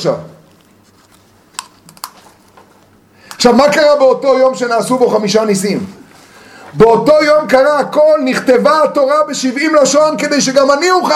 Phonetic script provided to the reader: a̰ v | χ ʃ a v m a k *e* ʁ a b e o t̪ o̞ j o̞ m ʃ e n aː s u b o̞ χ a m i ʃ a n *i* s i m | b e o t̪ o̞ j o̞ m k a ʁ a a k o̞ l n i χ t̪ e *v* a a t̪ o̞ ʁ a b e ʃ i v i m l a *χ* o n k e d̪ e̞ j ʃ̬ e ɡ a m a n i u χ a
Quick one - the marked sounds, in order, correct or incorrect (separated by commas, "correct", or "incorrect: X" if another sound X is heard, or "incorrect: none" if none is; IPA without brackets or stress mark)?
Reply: incorrect: a, correct, correct, incorrect: ʃ